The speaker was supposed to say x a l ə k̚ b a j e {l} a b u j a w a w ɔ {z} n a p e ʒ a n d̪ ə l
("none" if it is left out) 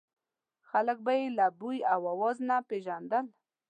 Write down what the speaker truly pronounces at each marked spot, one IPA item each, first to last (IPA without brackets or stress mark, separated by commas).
l, z